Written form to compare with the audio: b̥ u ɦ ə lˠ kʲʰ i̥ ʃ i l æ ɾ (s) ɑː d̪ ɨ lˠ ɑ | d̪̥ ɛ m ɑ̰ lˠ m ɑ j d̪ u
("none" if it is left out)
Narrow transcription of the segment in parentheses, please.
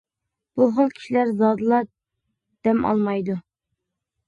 z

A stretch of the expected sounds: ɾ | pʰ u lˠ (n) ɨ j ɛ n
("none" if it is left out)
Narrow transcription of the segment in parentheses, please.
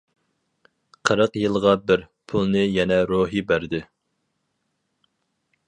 n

